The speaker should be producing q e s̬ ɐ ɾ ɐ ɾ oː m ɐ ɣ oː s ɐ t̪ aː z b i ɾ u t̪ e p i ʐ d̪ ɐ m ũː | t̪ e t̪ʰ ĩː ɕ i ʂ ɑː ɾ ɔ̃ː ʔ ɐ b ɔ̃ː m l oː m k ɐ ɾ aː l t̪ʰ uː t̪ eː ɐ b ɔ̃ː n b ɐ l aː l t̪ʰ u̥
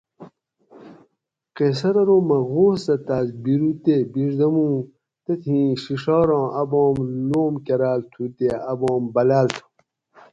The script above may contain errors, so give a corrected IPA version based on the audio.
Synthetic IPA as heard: q e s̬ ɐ ɾ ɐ ɾ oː m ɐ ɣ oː s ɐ t̪ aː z b i ɾ u t̪ e b i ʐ d̪ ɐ m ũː | t̪ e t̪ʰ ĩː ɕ i ʂ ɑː ɾ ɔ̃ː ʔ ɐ b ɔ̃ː m l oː m k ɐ ɾ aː l t̪ʰ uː t̪ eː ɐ b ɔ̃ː m b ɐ l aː l t̪ʰ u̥